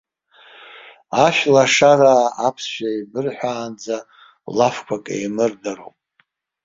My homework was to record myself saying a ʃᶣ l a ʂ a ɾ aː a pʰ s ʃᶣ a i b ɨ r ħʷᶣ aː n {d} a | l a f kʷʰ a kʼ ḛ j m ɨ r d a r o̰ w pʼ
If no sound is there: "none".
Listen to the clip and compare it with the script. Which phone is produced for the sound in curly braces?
d͡z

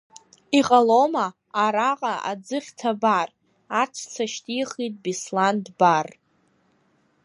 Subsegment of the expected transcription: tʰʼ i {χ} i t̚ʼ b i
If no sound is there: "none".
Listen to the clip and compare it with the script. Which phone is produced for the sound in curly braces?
χ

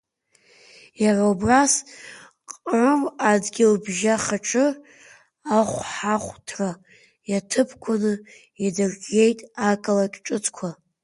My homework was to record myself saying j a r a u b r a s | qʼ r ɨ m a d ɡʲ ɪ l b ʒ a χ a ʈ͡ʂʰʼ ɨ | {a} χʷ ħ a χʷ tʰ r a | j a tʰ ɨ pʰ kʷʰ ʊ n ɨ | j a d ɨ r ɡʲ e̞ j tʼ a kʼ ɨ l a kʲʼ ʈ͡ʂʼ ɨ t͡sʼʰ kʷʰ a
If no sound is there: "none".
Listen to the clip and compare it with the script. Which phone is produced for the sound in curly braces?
a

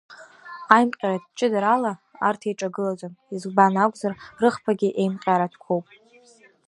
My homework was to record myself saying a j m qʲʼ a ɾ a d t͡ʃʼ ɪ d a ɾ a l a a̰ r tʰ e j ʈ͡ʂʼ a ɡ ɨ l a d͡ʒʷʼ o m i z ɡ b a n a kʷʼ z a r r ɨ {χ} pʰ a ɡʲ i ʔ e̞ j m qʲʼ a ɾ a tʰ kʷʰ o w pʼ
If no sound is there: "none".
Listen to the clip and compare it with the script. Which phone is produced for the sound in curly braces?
χ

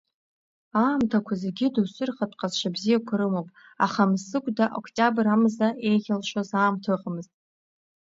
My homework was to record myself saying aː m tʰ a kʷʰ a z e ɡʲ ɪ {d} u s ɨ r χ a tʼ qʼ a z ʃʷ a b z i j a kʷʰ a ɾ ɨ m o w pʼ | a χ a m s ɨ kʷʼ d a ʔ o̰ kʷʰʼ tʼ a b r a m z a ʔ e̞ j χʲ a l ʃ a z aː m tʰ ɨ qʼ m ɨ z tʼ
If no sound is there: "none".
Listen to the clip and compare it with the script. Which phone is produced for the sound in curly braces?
d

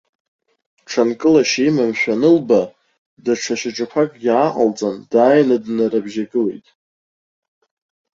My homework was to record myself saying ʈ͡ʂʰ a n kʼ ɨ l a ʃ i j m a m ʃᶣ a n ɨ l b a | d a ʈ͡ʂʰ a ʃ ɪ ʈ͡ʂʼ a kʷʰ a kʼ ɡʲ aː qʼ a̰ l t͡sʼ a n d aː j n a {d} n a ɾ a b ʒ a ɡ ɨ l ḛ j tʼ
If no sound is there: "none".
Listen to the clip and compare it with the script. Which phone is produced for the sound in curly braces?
d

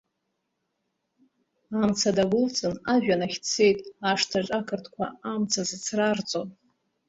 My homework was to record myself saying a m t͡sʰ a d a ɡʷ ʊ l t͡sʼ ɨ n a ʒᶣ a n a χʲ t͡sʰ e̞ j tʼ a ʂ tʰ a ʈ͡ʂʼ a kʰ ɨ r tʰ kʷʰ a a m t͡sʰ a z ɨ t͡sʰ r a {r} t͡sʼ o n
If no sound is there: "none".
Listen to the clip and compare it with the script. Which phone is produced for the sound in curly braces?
r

